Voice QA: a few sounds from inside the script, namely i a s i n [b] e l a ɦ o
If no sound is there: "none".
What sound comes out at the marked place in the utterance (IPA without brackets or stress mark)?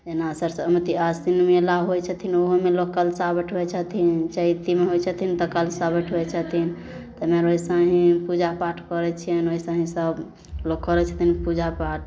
m